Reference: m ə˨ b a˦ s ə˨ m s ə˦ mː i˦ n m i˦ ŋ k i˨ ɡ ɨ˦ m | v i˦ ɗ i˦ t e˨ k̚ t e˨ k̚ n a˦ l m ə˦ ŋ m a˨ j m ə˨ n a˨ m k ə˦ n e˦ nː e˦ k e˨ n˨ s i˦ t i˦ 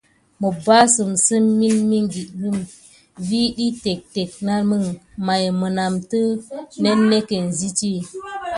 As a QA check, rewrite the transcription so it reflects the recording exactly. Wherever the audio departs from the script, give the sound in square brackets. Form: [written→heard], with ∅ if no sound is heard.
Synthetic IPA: m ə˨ b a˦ s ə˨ m s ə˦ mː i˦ n m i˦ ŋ [k→ɡ] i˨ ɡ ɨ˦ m | v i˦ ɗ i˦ t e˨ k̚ t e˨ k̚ n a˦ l m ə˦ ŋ m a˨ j m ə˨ n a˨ m [k→t] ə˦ n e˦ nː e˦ k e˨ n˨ [s→z] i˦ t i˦